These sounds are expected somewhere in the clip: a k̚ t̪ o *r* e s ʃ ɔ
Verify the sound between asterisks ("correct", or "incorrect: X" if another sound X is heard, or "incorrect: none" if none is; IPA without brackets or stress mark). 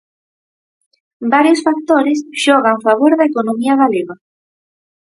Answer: incorrect: ɾ